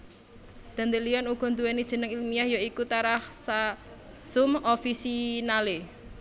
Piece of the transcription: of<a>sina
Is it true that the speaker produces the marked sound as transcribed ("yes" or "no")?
no